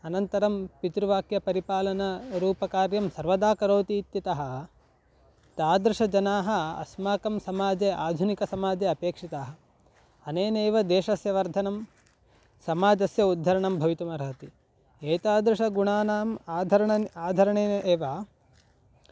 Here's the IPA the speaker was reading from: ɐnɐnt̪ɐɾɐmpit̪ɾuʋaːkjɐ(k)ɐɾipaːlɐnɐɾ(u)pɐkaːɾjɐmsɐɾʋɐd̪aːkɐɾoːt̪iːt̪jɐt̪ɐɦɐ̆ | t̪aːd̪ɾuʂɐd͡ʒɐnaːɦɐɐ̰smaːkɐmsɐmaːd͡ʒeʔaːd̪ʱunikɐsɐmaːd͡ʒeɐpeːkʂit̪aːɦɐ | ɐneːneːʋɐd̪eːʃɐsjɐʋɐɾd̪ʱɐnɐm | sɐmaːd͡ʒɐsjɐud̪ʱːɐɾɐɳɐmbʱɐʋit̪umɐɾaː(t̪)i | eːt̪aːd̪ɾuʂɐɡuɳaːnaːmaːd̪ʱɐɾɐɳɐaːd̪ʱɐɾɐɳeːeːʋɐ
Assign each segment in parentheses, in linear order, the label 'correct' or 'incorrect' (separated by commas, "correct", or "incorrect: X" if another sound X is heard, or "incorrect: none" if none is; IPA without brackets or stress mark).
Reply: incorrect: p, incorrect: uː, correct